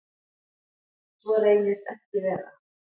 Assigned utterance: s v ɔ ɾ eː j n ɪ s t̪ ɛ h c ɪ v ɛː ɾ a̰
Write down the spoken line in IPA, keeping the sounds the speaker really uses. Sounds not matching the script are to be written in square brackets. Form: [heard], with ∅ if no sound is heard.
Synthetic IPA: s v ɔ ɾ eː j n ɪ s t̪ ɛ h c ɪ v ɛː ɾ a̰

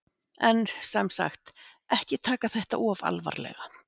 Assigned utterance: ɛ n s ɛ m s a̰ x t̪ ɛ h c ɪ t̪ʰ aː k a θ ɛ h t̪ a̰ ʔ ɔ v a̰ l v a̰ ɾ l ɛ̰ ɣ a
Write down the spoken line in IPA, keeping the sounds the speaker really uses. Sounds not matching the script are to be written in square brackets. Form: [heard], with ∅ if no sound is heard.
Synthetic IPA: ɛ n s ɛ m s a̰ x t̪ ɛ h c ɪ t̪ʰ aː k a θ ɛ h t̪ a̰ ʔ ɔ v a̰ l v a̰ ɾ l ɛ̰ ɣ a

